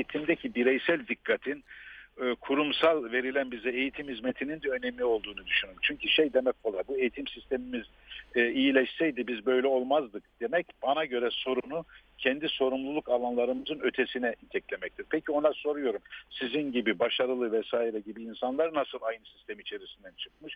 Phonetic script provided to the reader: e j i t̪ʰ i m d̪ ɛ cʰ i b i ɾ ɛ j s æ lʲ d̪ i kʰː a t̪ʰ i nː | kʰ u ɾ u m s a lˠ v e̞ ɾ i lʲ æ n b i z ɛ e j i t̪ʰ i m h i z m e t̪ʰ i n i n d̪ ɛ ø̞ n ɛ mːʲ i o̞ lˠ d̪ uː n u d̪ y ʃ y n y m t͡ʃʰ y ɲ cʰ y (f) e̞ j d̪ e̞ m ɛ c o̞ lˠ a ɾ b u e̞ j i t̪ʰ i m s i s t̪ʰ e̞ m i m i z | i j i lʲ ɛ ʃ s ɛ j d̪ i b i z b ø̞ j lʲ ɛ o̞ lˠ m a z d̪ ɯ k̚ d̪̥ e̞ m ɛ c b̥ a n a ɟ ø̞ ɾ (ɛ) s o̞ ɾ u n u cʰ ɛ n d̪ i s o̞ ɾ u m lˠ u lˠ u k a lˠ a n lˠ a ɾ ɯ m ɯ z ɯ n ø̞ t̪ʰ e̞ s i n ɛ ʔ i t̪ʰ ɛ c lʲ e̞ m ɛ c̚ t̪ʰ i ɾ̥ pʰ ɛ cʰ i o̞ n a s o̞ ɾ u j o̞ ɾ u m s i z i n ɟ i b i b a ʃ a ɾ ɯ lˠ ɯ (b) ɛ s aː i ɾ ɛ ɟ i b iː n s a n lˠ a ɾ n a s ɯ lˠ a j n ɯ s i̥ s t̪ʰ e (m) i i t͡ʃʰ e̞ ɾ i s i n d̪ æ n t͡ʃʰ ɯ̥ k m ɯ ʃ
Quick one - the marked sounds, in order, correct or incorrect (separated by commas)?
incorrect, correct, incorrect, correct